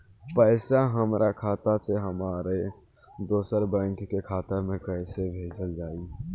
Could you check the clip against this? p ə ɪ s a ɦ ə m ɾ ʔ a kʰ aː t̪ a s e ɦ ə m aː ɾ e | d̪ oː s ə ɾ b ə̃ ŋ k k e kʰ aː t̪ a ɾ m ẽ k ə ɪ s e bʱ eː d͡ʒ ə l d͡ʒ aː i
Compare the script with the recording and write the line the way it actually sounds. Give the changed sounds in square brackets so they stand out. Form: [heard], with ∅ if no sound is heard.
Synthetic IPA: p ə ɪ s a ɦ ə m ɾ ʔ a kʰ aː t̪ a s e ɦ ə m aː ɾ e | d̪ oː s ə ɾ b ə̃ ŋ k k e kʰ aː t̪ [ə] ɾ m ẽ k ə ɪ s e bʱ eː d͡ʒ ə l d͡ʒ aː i